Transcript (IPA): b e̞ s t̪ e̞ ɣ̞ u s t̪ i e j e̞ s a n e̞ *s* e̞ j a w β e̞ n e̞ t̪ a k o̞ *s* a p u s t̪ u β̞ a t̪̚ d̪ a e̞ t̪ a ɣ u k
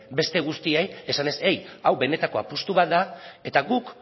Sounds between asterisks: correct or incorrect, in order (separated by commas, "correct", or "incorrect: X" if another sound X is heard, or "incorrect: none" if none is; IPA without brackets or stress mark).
correct, incorrect: none